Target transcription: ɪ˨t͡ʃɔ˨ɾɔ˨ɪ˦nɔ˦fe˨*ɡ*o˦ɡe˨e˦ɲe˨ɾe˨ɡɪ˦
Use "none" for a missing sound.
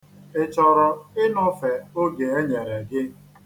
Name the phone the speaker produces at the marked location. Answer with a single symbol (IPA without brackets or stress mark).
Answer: none